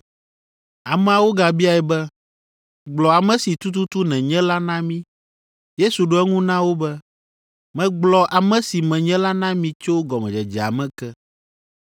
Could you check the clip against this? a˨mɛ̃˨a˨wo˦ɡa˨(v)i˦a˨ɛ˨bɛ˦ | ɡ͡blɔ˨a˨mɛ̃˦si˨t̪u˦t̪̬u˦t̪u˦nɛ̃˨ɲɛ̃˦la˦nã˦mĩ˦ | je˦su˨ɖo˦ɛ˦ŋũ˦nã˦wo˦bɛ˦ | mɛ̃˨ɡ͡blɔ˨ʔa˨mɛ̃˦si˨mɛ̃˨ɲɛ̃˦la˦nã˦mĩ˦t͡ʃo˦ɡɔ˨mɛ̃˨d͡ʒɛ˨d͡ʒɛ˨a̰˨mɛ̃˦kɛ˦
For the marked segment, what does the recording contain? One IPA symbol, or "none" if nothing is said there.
b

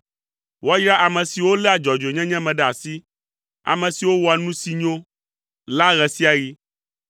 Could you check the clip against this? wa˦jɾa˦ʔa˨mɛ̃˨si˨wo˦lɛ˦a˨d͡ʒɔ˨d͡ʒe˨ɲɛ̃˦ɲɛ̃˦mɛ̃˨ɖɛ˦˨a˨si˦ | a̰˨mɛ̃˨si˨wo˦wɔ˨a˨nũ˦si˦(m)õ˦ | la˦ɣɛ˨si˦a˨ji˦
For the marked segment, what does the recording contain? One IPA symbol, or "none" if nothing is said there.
ɲ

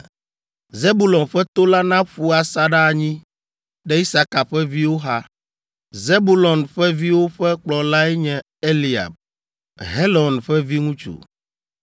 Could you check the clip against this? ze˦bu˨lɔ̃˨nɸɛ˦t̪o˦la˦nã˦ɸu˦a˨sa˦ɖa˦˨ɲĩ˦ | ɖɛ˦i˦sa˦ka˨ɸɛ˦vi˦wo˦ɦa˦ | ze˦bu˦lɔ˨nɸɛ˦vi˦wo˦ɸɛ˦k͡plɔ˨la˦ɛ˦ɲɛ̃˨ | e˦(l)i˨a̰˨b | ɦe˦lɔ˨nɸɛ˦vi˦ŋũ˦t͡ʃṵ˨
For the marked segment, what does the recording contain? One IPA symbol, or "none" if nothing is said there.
l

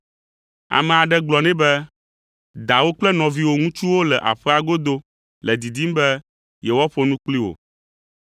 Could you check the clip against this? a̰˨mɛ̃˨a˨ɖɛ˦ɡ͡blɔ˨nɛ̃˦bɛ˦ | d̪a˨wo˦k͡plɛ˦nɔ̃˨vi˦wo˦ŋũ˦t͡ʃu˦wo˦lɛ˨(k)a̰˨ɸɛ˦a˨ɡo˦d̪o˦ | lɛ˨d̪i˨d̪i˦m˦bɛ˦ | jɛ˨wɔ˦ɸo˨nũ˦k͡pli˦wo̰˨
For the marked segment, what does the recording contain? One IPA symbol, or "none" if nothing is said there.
ʔ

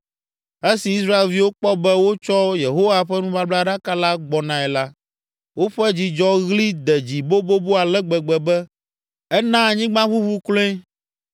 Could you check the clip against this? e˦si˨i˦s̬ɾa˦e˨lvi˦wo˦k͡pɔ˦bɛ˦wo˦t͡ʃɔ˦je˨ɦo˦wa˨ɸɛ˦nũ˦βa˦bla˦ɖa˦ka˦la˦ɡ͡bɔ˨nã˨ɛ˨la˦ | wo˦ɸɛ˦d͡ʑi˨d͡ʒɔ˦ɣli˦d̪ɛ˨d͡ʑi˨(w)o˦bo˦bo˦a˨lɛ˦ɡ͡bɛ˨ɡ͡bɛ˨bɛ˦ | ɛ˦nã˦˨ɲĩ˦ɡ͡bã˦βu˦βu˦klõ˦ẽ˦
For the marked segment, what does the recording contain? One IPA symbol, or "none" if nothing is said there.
b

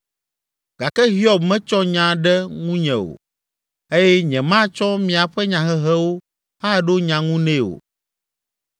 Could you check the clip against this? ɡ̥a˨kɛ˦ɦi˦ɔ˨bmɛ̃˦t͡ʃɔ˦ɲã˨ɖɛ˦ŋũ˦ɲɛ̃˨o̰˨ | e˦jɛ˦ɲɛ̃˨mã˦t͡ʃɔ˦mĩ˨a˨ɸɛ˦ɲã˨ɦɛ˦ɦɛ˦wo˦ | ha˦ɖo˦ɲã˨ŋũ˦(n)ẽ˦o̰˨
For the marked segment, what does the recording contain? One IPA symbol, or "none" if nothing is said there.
n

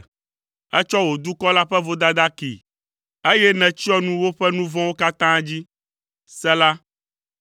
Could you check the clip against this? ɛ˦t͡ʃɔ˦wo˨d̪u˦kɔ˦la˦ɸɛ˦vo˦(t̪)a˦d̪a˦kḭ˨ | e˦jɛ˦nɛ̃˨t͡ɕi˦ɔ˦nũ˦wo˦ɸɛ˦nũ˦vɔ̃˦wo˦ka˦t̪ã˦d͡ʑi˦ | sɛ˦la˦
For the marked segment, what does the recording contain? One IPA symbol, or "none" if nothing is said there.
d̪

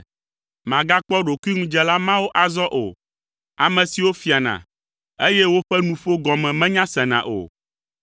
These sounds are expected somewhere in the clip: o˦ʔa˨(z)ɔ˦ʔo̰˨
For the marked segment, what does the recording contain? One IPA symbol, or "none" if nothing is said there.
z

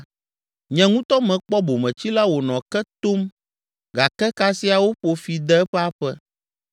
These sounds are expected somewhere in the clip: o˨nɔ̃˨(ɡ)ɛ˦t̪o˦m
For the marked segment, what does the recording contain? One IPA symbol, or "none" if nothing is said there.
k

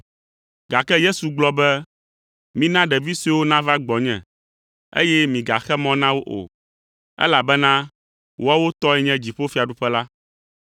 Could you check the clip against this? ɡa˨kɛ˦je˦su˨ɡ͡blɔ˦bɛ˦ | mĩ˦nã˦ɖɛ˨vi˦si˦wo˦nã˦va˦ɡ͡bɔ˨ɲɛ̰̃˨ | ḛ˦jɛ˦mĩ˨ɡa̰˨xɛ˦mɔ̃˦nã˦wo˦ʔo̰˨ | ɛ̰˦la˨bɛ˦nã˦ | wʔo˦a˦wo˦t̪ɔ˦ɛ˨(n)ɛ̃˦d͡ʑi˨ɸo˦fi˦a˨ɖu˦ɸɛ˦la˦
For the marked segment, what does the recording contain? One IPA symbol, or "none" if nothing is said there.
ɲ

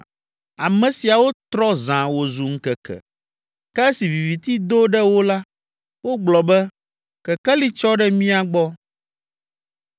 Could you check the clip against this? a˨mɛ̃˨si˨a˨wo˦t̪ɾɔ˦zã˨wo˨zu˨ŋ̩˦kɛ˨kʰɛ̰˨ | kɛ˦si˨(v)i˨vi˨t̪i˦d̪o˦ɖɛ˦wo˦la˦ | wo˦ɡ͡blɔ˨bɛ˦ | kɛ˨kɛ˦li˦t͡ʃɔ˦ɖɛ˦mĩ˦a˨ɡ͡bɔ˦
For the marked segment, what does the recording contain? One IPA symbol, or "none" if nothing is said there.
v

